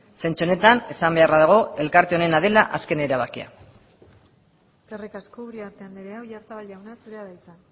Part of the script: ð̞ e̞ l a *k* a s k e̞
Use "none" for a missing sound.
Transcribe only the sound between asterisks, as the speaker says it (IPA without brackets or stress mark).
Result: ʔ